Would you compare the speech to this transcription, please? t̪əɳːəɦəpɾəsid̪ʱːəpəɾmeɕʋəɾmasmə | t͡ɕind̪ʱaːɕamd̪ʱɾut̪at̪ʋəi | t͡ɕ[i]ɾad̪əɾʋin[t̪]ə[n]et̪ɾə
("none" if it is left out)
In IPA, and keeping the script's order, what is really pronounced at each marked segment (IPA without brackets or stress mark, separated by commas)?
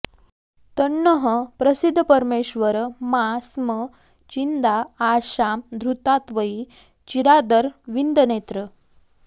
i, d̪, n